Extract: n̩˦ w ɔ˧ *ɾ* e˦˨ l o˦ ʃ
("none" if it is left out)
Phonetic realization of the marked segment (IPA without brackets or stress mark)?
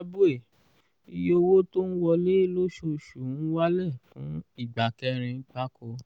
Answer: l